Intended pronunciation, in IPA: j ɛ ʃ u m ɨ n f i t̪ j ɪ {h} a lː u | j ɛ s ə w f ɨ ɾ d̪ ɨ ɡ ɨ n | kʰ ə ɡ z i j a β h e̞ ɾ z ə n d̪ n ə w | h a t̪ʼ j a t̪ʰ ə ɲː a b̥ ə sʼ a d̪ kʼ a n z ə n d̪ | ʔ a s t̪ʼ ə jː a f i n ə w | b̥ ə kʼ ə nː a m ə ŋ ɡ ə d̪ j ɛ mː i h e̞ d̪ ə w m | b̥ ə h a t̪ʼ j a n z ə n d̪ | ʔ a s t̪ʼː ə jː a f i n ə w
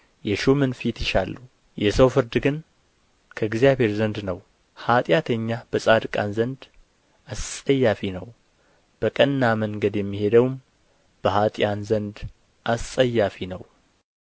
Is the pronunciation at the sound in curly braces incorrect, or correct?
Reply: incorrect